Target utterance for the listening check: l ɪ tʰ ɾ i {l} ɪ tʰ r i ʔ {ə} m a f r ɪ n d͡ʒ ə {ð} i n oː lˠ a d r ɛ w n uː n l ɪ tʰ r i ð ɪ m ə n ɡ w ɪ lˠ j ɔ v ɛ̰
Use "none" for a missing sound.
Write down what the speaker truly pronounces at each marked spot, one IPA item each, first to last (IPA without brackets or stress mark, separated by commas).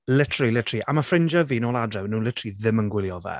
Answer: l, a, v